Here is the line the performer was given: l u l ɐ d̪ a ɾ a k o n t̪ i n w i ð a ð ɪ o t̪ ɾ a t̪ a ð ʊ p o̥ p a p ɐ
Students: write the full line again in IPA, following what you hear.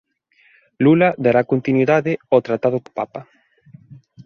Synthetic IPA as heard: l u l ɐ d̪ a ɾ a k o n t̪ i n w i ð a ð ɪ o t̪ ɾ a t̪ a ð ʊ k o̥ p a p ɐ